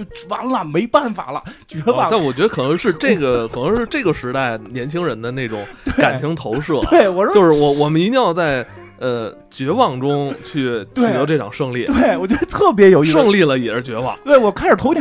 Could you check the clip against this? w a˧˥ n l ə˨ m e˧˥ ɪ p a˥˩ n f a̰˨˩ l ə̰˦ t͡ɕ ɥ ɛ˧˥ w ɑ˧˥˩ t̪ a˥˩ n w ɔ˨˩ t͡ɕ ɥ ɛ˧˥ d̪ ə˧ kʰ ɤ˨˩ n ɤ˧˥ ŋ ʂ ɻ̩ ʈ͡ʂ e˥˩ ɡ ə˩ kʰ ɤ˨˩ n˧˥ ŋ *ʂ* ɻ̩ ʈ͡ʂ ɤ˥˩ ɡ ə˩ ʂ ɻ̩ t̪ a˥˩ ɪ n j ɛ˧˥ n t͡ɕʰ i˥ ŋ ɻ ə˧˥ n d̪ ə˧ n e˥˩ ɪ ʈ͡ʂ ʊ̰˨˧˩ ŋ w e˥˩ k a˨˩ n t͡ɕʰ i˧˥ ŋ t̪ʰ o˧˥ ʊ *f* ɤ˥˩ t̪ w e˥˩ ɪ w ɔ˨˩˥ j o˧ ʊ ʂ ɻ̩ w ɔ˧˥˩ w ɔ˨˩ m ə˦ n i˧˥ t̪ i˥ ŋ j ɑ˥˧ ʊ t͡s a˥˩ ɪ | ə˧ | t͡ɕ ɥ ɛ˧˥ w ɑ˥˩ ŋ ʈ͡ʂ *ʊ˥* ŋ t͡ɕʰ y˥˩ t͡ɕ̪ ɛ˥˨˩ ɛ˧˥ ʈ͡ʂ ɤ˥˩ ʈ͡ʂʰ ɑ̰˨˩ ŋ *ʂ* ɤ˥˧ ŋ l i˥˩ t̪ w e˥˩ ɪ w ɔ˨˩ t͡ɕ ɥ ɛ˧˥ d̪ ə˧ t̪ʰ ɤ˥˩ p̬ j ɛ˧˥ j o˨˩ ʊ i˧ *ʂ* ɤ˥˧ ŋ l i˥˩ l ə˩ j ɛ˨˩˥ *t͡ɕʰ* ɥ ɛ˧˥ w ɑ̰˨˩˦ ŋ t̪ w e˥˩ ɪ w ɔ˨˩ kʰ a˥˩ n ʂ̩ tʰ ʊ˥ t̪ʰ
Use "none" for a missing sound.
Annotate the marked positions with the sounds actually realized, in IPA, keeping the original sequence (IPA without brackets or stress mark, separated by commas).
ʂ, ʂ, ʊ˥, ʂ, ʂ, t͡ɕ